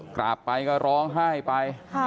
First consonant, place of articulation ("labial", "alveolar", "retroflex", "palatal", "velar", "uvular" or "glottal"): velar